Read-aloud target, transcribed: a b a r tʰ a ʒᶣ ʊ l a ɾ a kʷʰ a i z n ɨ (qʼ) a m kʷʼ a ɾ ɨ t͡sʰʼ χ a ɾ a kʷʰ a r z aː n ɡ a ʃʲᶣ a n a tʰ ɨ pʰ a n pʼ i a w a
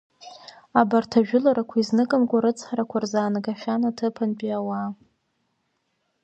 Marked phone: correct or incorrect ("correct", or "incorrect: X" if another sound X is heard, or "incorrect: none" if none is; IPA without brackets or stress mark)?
incorrect: kʼ